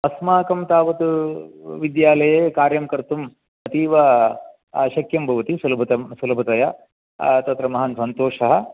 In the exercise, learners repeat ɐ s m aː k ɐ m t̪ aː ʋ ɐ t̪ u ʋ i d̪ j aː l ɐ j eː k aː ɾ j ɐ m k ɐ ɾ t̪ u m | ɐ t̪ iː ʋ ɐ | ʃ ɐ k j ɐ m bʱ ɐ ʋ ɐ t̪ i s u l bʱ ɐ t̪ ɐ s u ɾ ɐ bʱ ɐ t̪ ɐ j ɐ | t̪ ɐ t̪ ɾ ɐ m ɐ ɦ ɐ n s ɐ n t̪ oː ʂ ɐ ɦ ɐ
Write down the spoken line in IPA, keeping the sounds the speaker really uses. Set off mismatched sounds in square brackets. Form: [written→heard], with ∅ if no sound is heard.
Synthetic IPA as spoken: ɐ s m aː k ɐ m t̪ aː ʋ ɐ t̪ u ʋ i d̪ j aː l ɐ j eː k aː ɾ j ɐ m k ɐ ɾ t̪ u m | ɐ t̪ iː ʋ ɐ | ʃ ɐ k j ɐ m bʱ ɐ ʋ ɐ t̪ i s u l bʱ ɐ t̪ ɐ s u [ɾ→l] ɐ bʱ ɐ t̪ ɐ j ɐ | t̪ ɐ t̪ ɾ ɐ m ɐ ɦ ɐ n s ɐ n t̪ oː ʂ ɐ ɦ ɐ